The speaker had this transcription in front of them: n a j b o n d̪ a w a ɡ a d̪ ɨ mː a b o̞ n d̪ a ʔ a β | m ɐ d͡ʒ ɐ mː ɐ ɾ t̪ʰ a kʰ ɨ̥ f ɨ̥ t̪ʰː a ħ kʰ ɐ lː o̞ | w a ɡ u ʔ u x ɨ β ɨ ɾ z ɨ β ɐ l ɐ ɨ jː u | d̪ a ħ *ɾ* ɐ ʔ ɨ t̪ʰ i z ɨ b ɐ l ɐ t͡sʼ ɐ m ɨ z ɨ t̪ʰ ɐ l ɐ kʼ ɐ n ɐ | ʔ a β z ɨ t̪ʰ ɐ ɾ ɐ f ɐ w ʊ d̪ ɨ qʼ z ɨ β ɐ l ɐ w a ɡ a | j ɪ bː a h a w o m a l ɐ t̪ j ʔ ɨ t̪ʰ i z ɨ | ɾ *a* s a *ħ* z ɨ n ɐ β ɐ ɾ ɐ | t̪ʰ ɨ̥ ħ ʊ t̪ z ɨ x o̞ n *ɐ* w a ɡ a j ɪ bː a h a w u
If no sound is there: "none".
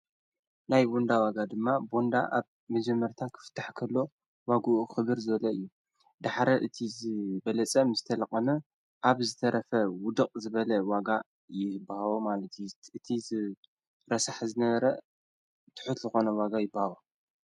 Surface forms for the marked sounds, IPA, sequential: ɾ, ɐ, ħ, ɐ

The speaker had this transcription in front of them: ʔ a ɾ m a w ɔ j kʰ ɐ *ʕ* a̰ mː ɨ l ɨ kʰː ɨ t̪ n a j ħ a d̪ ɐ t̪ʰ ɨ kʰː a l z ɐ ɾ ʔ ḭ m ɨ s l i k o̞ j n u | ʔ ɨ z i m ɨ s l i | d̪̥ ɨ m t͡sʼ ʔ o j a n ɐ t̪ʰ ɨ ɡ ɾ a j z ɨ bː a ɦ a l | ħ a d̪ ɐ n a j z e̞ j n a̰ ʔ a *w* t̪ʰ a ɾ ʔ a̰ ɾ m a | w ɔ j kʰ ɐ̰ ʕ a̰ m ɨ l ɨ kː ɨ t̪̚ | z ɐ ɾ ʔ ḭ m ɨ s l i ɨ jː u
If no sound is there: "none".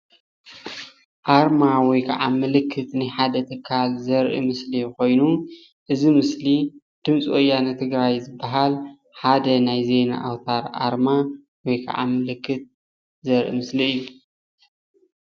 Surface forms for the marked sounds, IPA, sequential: ʕ, w

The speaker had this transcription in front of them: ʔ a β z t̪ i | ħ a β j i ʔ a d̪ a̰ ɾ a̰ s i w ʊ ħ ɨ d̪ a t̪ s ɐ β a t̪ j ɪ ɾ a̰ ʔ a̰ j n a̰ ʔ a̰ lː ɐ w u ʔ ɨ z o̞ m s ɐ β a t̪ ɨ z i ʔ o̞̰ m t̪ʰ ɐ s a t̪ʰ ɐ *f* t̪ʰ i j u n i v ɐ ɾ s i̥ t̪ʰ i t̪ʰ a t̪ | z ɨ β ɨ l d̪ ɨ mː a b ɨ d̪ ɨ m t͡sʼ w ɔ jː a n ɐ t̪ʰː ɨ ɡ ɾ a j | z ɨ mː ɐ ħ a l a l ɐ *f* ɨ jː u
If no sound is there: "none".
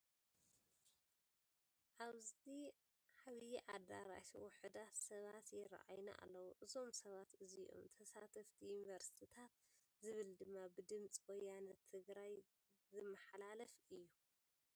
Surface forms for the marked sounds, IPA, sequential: f, f

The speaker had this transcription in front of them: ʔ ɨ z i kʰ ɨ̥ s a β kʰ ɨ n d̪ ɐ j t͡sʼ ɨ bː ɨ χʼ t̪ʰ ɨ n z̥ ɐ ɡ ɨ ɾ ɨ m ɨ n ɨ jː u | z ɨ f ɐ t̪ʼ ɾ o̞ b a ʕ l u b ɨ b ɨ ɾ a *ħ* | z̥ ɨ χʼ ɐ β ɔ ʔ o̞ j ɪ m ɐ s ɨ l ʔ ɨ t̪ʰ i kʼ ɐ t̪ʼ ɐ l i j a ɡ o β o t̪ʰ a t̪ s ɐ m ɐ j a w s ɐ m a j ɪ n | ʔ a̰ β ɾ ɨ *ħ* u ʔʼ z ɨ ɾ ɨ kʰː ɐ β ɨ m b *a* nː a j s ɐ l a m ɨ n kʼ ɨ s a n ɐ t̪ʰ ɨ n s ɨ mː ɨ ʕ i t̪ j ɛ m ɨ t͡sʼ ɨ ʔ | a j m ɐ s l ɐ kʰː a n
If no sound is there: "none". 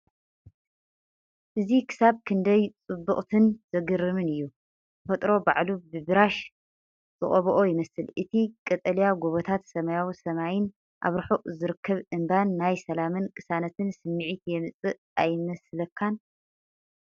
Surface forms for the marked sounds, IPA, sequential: ʃ, ħ, a

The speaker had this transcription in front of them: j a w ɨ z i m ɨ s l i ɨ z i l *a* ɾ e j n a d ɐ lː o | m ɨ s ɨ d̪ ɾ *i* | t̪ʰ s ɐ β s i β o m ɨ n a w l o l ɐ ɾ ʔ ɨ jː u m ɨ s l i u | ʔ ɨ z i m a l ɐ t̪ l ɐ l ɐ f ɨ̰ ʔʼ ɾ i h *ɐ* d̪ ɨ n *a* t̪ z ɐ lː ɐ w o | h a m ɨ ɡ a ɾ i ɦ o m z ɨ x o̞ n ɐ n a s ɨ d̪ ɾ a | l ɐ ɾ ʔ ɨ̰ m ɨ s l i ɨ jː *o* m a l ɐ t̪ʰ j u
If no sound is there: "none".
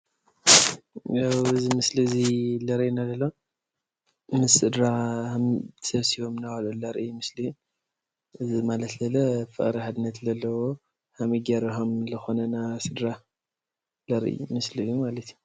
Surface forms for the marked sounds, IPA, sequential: ɐ, a, a, ɐ, u

